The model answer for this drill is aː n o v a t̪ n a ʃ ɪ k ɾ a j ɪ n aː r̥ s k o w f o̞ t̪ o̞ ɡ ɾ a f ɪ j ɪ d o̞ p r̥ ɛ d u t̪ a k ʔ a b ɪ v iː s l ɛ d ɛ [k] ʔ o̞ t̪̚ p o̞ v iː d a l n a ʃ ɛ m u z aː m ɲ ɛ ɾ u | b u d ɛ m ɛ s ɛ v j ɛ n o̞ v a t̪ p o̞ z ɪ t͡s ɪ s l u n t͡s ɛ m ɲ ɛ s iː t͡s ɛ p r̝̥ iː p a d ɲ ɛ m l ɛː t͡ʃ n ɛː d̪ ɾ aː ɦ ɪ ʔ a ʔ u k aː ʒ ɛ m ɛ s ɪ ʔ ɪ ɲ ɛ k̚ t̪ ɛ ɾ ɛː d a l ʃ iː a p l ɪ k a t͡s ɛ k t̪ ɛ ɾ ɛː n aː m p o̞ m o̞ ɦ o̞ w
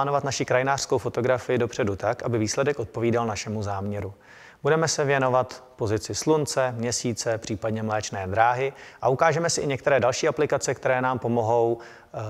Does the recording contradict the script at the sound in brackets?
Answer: no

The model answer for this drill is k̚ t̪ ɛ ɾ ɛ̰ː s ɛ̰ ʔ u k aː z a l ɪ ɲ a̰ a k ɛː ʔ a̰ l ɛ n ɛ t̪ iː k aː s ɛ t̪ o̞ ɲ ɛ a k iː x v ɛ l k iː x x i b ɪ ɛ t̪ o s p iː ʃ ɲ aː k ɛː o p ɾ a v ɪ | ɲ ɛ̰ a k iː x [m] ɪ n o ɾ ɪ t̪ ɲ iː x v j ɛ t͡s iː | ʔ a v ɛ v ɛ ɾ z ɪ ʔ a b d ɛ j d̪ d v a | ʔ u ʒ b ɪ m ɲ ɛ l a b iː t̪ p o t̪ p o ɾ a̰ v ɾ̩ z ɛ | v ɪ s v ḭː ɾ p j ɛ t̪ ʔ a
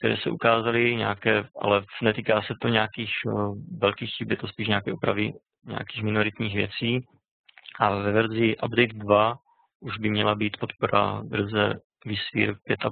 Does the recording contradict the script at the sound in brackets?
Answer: no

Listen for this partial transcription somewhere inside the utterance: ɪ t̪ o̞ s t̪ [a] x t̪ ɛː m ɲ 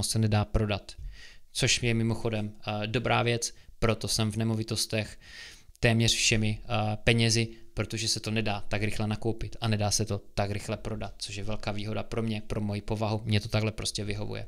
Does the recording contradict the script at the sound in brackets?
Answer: yes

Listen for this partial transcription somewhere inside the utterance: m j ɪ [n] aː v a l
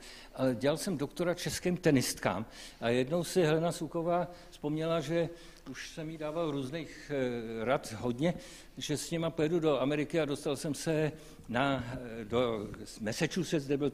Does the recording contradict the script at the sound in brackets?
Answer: yes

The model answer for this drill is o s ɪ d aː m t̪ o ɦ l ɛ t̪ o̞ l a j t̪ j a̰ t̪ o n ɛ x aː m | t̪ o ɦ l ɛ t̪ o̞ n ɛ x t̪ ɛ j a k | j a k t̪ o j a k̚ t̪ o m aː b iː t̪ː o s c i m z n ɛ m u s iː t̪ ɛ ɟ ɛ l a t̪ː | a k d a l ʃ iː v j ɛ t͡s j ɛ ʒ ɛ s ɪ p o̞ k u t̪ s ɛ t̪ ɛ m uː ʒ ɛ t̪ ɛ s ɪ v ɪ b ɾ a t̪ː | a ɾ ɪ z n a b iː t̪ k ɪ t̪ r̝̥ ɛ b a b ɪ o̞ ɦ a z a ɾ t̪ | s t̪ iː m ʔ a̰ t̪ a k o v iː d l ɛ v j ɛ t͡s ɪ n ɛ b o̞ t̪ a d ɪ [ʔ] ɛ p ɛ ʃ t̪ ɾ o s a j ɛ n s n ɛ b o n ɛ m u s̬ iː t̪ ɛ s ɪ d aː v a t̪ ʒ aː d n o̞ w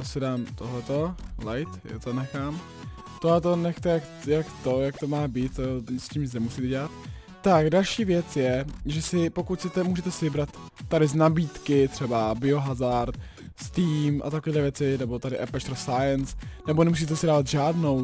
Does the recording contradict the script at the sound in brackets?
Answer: no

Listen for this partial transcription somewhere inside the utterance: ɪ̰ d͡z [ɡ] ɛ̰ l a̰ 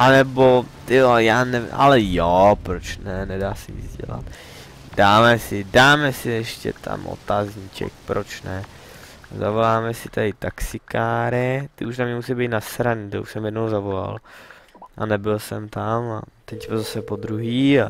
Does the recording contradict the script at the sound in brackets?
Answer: yes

